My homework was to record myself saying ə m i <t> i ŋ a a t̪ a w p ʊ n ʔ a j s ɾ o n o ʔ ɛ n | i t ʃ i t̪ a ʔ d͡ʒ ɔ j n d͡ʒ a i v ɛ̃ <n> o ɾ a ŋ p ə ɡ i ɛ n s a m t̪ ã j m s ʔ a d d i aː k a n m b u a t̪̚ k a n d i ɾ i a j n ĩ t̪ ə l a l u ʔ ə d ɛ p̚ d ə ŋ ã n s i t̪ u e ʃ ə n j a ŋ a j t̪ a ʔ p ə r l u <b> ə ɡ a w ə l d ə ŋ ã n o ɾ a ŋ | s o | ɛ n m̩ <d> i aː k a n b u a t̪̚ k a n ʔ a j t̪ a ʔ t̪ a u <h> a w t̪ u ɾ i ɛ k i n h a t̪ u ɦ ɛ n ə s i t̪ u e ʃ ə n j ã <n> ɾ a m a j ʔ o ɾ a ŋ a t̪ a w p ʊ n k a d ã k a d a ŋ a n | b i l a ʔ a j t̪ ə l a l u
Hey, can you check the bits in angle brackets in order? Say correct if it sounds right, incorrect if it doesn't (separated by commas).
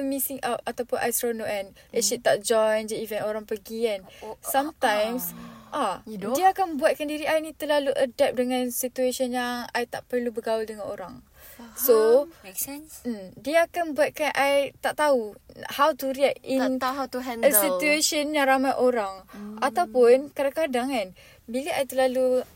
incorrect, correct, correct, correct, correct, incorrect